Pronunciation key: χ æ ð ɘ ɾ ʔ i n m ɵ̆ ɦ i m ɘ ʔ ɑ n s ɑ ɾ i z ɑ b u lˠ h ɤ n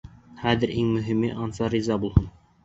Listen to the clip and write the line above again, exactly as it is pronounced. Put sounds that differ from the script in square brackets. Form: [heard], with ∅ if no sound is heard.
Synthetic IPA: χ æ ð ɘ ɾ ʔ i [ŋ] m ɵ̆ ɦ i m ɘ ʔ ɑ n s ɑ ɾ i z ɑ b u lˠ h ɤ n